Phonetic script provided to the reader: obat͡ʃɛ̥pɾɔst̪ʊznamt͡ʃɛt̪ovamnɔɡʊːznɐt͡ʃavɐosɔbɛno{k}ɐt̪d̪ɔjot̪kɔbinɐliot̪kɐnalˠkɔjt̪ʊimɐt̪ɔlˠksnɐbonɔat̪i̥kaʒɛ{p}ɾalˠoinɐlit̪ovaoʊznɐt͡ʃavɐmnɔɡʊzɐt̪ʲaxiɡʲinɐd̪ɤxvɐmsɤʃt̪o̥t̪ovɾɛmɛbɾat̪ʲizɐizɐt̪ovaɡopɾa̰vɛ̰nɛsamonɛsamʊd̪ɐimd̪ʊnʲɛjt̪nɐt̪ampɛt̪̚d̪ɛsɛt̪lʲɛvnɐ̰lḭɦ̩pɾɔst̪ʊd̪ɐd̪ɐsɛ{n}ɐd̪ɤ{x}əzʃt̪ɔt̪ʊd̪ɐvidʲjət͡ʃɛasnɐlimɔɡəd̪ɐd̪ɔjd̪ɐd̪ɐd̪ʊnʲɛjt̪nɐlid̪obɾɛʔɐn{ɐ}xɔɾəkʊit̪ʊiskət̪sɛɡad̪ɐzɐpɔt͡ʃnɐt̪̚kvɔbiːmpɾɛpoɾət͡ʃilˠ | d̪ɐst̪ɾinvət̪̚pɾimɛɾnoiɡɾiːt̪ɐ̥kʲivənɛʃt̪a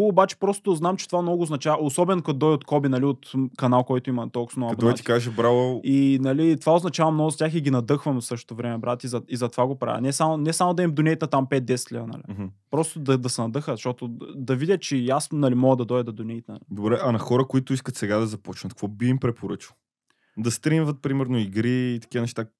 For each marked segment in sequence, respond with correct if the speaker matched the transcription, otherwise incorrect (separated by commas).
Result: correct, incorrect, correct, correct, correct